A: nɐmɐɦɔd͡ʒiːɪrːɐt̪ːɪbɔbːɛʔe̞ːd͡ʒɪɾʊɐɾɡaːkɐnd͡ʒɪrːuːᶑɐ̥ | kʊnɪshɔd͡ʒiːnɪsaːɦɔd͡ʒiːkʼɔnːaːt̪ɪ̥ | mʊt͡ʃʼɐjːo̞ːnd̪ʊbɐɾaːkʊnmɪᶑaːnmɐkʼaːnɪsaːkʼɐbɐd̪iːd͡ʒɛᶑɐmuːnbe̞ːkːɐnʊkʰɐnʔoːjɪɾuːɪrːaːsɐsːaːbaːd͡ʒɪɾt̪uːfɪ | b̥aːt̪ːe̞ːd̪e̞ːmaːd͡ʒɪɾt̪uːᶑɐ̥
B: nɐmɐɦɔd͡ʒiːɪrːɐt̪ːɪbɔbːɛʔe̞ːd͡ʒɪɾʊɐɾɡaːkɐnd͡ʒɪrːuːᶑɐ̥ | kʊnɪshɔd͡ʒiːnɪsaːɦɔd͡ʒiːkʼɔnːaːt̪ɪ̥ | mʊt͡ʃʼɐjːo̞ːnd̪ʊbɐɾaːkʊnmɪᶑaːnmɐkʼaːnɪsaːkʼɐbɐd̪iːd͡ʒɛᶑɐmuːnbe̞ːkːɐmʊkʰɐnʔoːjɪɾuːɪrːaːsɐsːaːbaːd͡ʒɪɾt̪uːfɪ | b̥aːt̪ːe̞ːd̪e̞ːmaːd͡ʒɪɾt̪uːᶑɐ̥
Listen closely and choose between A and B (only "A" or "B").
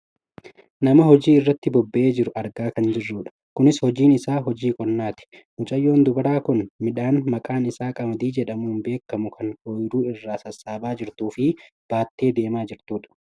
B